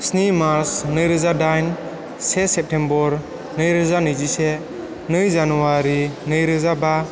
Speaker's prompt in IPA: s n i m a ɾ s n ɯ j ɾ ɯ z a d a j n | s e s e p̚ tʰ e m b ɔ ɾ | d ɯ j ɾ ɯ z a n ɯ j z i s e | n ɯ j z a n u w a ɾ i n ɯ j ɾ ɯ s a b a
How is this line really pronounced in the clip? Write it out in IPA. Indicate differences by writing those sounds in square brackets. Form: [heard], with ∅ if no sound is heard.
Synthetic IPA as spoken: s n i m a ɾ s n ɯ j ɾ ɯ z a d a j n | s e s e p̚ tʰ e m b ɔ ɾ | [n] ɯ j ɾ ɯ z a n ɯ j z i s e | n ɯ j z a n u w a ɾ i n ɯ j ɾ ɯ [z] a b a